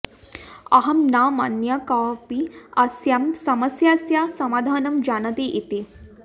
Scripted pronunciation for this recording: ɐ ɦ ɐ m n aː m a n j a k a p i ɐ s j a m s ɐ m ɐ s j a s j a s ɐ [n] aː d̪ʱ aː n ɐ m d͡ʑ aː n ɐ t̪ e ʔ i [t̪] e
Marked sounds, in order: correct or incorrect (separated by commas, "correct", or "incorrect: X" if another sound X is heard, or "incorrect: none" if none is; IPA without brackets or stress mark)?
incorrect: m, correct